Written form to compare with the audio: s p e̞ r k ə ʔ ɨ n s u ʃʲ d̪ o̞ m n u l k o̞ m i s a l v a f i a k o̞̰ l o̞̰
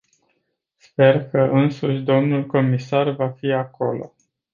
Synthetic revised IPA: s p e̞ r k ə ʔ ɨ n s u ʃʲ d̪ o̞ m n u l k o̞ m i s a r v a f i a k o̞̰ l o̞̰